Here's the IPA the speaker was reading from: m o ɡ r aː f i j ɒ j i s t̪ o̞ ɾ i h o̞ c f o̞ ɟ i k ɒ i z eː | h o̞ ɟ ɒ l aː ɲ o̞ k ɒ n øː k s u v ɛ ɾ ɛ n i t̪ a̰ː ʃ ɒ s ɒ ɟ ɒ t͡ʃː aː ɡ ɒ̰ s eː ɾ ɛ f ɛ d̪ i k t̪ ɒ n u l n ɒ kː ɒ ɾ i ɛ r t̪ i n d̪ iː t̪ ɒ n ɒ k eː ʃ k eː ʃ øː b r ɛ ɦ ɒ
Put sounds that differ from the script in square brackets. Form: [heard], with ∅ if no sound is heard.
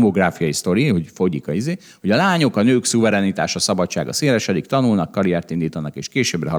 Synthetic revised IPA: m o ɡ r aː f i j ɒ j i s t̪ o̞ ɾ i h o̞ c f o̞ ɟ i k ɒ i z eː | h o̞ ɟ ɒ l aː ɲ o̞ k ɒ n øː k s u v ɛ ɾ ɛ n i t̪ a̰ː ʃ ɒ s ɒ [b] ɒ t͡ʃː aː ɡ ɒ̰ s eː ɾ ɛ [ʃ] ɛ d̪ i k t̪ ɒ n u l n ɒ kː ɒ ɾ i ɛ r t̪ i n d̪ iː t̪ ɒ n ɒ k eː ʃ k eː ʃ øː b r ɛ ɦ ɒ